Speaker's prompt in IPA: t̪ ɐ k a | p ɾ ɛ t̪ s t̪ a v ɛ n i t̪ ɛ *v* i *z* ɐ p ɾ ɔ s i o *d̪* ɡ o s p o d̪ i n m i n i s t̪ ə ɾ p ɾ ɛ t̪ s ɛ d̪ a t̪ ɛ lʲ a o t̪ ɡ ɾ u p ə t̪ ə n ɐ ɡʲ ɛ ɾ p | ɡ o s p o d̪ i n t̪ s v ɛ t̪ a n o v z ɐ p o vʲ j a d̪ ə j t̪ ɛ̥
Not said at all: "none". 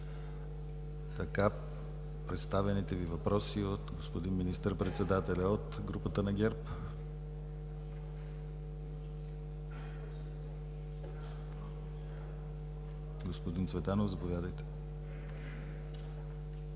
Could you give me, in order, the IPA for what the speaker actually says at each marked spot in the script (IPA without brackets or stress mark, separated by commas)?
v, v, t̪